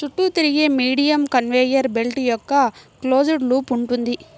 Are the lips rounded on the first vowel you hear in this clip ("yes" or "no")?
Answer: yes